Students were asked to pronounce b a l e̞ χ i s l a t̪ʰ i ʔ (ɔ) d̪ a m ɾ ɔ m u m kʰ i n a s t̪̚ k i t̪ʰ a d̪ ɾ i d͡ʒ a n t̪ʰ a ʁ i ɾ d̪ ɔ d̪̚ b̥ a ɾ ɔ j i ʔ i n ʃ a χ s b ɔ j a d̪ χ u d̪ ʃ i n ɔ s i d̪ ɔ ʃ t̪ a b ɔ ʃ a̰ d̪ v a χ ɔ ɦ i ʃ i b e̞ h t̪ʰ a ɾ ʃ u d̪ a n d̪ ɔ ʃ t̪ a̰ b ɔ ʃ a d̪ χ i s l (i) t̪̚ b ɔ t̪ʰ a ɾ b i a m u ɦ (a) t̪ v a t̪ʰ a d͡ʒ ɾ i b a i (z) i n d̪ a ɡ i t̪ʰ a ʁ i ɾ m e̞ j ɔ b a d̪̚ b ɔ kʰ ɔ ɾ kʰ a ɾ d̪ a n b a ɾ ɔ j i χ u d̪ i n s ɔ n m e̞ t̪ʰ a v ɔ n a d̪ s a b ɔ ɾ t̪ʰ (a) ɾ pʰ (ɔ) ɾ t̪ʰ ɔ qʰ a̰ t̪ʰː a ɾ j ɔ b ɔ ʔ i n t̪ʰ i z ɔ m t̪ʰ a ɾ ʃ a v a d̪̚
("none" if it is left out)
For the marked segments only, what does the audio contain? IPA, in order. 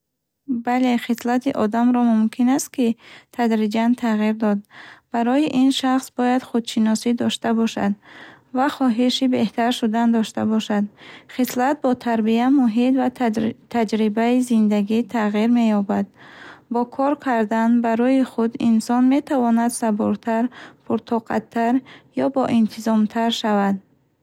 ɔ, a, i, z, a, u

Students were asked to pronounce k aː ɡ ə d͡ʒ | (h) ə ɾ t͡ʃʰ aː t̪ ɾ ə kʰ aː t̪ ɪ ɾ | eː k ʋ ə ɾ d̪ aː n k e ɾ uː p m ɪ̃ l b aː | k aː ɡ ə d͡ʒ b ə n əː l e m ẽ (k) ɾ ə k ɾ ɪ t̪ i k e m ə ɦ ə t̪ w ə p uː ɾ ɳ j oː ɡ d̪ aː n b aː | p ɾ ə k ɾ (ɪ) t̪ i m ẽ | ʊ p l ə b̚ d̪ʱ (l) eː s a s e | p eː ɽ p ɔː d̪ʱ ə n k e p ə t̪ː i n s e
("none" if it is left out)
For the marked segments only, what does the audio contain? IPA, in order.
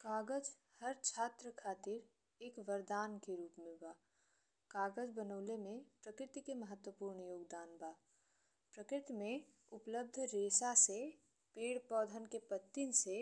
h, p, ɪ, ɾ

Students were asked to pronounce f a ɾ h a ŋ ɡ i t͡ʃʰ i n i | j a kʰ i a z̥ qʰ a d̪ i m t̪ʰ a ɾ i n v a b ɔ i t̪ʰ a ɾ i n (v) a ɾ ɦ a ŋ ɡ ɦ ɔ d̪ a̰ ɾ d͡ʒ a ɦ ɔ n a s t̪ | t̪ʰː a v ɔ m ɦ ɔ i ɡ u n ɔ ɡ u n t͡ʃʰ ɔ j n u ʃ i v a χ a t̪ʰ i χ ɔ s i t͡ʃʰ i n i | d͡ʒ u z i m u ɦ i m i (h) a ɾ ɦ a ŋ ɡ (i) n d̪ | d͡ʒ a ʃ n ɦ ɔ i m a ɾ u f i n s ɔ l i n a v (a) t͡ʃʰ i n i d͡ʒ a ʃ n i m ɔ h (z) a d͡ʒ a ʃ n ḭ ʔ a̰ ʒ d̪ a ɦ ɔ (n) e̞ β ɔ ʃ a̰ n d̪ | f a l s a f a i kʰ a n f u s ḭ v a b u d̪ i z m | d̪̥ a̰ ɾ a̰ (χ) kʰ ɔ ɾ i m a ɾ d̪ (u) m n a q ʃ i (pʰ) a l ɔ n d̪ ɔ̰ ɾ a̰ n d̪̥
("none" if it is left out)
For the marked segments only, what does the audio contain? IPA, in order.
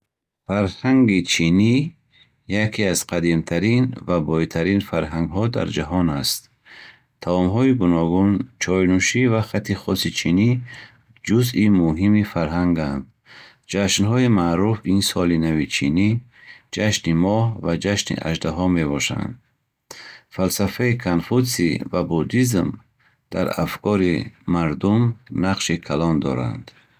f, f, a, i, v, m, f, u, kʰ

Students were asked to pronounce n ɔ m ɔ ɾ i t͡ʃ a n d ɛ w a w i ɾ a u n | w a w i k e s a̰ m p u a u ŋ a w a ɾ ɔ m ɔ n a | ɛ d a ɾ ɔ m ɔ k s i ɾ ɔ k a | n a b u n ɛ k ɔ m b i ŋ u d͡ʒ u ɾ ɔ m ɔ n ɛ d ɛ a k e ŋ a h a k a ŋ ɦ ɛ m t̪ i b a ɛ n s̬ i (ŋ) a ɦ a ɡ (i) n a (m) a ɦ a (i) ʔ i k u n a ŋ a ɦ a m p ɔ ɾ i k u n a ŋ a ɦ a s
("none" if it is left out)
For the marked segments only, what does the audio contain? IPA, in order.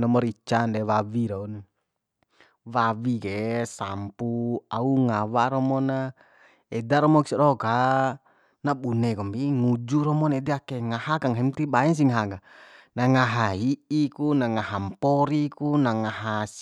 ŋ, a, ŋ, i

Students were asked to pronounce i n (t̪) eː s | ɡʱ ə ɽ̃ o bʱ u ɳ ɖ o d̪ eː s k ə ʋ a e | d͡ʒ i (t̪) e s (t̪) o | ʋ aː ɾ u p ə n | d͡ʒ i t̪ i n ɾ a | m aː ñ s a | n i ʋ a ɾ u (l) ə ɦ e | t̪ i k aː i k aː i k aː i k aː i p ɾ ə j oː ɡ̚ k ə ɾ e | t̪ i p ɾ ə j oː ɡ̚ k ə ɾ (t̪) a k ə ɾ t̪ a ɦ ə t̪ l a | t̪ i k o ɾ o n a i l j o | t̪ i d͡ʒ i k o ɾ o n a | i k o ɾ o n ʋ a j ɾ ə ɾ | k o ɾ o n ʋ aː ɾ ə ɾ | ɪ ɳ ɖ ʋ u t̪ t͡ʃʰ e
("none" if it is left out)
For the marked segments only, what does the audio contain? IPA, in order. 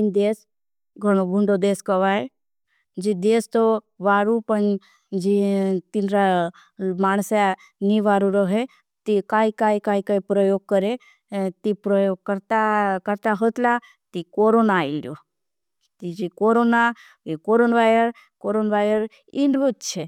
d̪, d̪, t̪, ɾ, t̪

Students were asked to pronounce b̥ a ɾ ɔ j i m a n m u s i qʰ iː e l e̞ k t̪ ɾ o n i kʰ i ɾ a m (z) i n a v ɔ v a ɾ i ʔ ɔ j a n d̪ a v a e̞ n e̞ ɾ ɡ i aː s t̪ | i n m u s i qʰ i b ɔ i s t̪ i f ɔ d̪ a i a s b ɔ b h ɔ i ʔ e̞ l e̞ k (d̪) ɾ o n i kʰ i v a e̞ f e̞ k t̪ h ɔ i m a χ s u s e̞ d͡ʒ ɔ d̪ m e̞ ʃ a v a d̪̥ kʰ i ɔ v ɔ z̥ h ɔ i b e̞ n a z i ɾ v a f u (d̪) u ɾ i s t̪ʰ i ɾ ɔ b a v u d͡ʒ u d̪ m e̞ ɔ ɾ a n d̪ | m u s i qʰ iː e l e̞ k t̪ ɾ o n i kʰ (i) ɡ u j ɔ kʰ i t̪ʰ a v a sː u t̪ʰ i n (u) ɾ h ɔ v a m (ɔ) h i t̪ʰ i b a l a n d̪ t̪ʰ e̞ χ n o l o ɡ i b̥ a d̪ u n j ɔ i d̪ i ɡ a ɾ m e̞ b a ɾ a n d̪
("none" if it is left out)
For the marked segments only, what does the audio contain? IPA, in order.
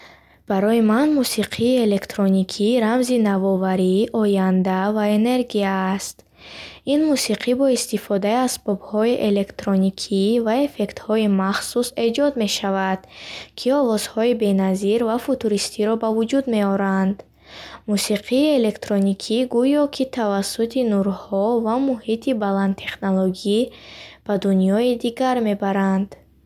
z, t̪, t̪, i, u, u

